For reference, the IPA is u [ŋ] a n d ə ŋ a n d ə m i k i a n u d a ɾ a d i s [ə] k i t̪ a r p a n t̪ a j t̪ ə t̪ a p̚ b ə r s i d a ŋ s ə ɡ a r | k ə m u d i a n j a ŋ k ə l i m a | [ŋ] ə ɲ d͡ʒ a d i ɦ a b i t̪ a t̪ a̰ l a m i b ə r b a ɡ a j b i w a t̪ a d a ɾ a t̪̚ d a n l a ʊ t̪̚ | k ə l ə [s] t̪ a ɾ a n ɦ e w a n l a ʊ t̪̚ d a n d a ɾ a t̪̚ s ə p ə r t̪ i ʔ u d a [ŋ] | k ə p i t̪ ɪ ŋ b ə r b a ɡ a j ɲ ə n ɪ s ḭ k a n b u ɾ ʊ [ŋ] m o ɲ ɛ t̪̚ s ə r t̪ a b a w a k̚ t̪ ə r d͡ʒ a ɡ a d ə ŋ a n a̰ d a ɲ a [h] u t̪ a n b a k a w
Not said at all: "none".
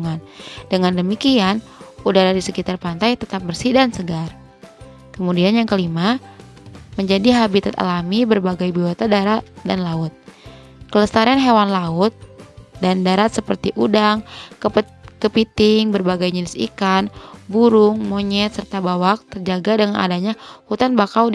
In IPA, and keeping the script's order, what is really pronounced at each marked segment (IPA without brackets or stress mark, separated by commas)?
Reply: ŋ, ə, m, s, ŋ, ŋ, h